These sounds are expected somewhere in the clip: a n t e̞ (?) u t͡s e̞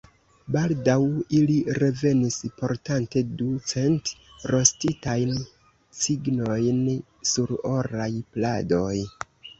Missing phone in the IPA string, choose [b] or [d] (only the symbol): d